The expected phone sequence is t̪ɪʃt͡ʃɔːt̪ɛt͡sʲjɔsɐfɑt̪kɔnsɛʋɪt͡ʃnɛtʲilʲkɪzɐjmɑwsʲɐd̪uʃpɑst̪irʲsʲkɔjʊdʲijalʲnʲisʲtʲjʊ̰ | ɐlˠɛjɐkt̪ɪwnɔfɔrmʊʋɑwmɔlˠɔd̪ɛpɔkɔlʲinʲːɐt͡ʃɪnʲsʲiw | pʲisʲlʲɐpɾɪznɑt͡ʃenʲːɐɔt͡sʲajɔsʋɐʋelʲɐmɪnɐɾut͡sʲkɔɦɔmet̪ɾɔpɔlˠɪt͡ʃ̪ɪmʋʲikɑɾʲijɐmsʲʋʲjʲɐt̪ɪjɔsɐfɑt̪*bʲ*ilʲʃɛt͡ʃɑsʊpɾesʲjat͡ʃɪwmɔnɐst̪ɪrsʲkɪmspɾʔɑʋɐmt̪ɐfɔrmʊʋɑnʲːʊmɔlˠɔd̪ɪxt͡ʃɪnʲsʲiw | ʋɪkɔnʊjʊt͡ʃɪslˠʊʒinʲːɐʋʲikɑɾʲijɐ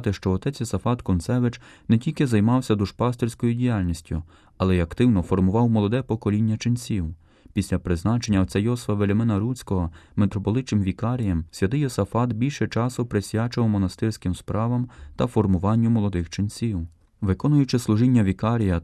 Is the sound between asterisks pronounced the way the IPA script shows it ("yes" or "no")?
yes